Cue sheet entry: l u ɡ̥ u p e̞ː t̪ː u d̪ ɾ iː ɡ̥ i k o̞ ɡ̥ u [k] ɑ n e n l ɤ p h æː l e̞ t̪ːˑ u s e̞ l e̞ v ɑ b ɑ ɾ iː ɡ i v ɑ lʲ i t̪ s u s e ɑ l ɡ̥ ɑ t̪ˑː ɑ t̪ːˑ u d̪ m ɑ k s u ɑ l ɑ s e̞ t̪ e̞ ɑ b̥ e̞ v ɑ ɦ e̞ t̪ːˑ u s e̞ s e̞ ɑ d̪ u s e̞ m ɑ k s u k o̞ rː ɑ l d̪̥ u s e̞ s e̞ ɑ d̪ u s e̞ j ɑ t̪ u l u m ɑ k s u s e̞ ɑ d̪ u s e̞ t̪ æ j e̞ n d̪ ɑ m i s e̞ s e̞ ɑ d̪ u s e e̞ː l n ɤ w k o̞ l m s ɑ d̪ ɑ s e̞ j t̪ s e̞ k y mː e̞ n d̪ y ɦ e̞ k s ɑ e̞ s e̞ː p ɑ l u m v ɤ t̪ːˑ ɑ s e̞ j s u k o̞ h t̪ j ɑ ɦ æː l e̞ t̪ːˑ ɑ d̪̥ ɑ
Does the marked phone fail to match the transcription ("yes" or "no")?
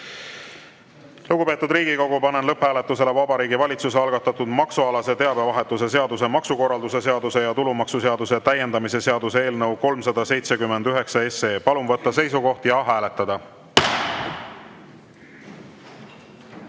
yes